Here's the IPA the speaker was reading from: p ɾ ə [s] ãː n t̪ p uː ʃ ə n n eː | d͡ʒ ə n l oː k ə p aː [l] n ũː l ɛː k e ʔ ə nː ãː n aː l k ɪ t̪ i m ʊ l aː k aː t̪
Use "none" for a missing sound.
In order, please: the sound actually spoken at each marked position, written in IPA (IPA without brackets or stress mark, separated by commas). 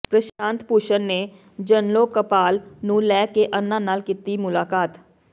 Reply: ʃ, l